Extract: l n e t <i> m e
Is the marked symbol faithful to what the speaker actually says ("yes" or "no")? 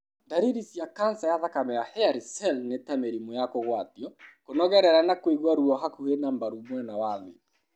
no